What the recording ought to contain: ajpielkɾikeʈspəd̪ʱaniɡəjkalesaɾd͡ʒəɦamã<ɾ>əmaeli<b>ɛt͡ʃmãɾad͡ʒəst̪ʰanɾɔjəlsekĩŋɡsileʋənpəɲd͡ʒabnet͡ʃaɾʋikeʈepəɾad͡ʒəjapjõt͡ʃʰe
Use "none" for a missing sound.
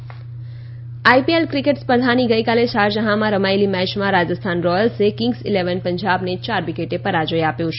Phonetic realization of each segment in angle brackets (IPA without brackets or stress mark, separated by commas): ɾ, m